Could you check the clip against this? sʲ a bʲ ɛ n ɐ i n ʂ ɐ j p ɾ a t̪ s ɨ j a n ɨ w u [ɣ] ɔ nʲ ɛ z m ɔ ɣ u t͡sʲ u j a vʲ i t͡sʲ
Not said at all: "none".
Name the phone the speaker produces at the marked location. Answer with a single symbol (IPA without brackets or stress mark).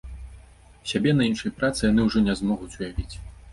ʐ